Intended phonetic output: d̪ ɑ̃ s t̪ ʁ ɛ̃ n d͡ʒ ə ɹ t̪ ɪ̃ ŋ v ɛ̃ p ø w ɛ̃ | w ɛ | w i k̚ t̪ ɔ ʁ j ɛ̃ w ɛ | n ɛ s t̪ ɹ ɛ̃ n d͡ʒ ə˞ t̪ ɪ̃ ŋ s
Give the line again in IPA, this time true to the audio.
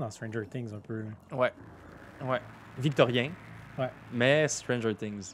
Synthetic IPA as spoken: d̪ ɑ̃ s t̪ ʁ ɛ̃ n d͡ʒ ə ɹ t̪ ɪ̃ ŋ z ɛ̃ p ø w ɛ | w ɛ | v i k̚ t̪ ɔ ʁ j ɛ̃ w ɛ | m ɛ s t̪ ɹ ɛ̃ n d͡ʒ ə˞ t̪ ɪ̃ ŋ z